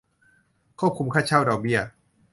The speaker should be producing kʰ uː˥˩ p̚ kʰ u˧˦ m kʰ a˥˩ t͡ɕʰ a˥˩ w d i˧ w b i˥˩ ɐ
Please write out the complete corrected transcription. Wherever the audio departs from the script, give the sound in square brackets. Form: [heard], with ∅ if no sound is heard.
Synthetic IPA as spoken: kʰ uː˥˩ p̚ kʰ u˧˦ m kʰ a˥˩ t͡ɕʰ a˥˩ w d [a˧] w b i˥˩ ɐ